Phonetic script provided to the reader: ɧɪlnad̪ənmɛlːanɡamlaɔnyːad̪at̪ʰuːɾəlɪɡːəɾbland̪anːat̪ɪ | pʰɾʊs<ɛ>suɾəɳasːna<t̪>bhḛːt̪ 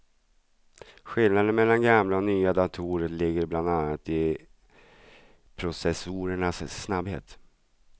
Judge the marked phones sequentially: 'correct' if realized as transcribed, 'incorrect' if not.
correct, incorrect

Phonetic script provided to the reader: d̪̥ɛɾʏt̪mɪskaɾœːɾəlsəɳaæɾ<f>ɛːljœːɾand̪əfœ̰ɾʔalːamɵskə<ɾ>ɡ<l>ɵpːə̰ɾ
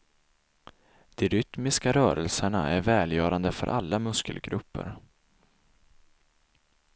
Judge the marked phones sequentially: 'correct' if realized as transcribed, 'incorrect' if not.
incorrect, incorrect, incorrect

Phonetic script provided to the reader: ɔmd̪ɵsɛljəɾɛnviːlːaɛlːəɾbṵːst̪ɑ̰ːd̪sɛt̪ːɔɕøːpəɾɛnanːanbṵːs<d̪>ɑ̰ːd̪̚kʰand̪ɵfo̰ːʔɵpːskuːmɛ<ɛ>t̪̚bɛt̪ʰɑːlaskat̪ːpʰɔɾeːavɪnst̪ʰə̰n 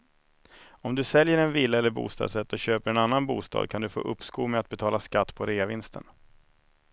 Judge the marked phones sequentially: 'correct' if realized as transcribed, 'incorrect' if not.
incorrect, incorrect

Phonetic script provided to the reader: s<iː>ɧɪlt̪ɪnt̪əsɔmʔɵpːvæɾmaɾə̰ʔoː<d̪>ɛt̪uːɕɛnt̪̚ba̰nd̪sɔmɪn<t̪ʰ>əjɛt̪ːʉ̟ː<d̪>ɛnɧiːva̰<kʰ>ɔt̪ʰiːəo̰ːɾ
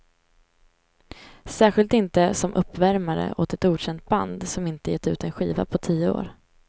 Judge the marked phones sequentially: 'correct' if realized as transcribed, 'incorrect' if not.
incorrect, incorrect, incorrect, incorrect, incorrect

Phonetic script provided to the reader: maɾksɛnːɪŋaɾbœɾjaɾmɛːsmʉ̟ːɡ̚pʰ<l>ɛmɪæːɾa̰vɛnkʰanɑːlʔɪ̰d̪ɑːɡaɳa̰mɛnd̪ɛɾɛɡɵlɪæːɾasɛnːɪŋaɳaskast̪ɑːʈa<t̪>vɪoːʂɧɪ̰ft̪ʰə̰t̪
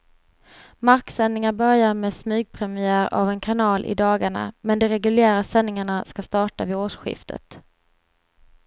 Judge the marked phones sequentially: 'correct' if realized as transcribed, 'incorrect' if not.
incorrect, incorrect

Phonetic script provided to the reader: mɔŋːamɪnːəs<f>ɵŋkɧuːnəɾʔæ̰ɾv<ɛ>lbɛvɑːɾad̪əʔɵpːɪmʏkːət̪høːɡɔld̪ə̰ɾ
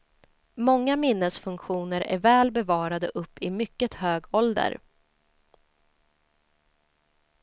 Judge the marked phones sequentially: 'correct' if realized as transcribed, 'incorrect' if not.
correct, incorrect

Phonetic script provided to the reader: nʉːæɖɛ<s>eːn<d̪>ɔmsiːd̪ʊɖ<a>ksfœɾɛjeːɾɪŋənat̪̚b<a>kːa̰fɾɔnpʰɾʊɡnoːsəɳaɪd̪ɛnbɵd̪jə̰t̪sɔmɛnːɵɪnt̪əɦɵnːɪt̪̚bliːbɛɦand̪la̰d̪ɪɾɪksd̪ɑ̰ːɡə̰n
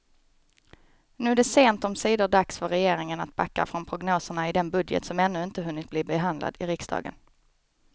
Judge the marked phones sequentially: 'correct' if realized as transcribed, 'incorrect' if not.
correct, incorrect, correct, correct

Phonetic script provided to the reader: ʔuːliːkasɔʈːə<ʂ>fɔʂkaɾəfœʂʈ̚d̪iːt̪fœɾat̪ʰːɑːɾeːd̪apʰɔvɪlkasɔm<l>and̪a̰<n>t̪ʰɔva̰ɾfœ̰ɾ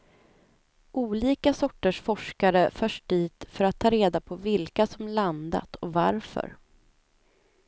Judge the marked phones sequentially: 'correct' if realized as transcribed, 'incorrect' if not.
correct, correct, incorrect

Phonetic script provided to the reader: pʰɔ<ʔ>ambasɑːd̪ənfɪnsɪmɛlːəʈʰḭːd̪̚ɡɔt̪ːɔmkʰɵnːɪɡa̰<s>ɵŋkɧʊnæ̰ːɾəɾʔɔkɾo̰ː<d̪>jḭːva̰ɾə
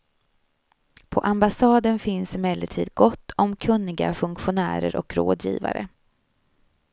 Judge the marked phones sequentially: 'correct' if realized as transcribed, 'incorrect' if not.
correct, incorrect, correct

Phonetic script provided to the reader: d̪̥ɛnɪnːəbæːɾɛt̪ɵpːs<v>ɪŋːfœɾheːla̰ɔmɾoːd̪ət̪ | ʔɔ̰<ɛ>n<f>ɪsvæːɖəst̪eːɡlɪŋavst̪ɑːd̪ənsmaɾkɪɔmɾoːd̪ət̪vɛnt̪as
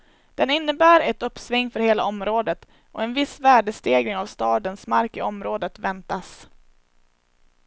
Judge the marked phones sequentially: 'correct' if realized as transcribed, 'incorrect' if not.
correct, correct, incorrect

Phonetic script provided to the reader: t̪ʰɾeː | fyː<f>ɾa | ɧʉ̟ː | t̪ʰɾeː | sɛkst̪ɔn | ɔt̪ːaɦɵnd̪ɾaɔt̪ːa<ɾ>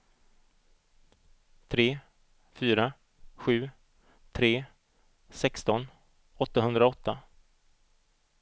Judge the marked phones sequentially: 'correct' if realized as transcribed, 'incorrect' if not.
incorrect, incorrect

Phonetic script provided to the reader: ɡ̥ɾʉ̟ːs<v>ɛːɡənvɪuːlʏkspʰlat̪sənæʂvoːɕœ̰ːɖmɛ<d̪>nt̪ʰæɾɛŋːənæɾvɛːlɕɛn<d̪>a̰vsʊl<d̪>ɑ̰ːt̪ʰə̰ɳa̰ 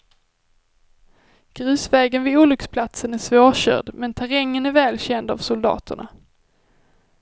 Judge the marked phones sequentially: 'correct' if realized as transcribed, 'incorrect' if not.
correct, incorrect, correct, correct

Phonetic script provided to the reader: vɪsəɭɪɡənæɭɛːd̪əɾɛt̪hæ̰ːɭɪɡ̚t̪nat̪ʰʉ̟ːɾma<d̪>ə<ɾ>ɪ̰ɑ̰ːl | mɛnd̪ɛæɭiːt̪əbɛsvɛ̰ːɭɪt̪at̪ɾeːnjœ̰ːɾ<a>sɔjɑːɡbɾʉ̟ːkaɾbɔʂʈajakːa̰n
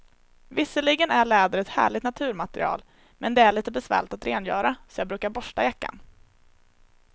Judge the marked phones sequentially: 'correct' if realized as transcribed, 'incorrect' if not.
incorrect, correct, correct

